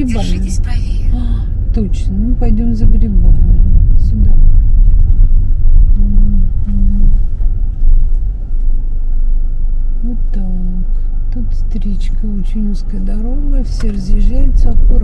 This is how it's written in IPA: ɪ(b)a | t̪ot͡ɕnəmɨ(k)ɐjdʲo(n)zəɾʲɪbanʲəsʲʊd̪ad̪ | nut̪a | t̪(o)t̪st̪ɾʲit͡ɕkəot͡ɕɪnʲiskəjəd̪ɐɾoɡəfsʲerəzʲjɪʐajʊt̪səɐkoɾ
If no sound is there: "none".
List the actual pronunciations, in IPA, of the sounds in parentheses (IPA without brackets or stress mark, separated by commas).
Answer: b, p, m, u